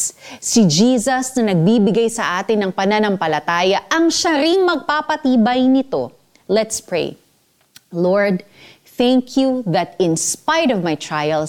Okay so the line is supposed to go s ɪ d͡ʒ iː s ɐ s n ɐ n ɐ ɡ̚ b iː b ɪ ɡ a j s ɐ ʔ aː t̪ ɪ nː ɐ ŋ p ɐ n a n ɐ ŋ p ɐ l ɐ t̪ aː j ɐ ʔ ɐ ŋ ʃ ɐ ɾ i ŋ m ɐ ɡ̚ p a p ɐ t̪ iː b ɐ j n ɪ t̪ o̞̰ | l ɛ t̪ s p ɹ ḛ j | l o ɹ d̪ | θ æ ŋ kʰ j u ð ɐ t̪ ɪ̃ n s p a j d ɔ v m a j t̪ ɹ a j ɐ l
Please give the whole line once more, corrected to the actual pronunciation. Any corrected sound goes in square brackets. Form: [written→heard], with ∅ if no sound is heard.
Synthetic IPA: s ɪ d͡ʒ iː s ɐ s n ɐ n ɐ ɡ̚ b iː b ɪ ɡ a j s ɐ ʔ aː t̪ ɪ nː ɐ ŋ p ɐ n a n ɐ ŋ p ɐ l ɐ t̪ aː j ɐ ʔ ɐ ŋ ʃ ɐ ɾ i ŋ m ɐ ɡ̚ p a p ɐ t̪ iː b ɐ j n ɪ t̪ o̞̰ | l ɛ t̪ s p ɹ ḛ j | l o ɹ d̪ | θ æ ŋ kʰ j u ð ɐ t̪ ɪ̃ n s p a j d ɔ v m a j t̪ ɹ a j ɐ l